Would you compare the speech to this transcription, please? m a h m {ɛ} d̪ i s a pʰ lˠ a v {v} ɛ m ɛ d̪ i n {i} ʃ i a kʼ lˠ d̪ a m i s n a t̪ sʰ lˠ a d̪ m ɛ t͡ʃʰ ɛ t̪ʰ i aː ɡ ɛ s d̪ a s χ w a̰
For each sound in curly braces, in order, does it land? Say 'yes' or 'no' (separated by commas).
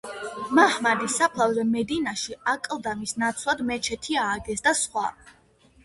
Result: no, no, no